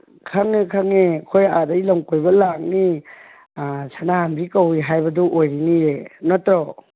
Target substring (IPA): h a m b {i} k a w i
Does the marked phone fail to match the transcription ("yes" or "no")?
no